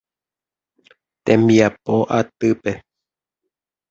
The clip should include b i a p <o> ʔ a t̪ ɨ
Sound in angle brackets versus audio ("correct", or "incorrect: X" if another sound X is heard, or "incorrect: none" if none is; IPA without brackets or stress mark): correct